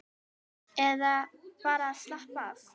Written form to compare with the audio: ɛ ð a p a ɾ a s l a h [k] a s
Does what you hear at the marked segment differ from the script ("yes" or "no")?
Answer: yes